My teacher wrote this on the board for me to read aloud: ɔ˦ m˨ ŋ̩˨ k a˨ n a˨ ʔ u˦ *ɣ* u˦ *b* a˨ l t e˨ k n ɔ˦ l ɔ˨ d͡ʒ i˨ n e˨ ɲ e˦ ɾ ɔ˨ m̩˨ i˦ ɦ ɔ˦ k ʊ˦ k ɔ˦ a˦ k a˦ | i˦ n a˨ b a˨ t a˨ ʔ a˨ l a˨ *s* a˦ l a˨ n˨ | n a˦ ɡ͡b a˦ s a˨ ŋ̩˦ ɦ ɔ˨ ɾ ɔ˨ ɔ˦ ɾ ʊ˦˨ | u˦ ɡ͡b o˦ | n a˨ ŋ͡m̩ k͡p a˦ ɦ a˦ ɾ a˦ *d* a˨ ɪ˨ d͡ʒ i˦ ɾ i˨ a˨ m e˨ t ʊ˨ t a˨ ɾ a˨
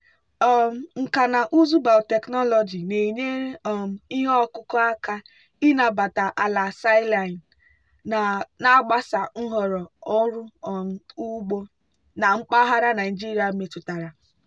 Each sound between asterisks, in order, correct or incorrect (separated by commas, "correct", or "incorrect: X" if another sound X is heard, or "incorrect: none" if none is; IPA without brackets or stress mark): incorrect: z, correct, correct, incorrect: n